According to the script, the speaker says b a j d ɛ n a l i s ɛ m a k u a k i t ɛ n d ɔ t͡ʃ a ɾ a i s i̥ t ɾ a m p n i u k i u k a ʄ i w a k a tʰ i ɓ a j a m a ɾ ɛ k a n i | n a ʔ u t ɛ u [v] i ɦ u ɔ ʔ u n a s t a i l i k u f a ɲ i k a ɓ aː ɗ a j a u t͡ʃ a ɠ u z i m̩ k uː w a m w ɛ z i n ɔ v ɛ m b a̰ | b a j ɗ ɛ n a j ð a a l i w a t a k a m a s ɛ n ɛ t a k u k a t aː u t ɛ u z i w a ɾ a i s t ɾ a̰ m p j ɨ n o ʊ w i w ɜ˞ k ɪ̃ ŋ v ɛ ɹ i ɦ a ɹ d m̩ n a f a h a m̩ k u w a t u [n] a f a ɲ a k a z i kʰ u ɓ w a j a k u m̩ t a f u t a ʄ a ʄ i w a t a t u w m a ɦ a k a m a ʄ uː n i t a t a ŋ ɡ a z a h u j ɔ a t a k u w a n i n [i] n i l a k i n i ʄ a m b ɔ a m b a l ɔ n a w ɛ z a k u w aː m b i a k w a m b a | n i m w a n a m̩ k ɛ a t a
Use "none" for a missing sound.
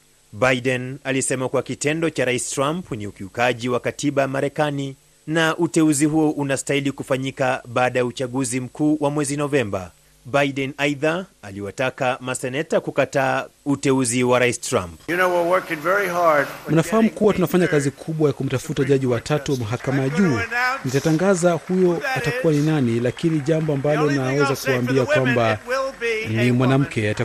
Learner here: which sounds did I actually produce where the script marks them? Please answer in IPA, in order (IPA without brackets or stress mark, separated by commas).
z, n, a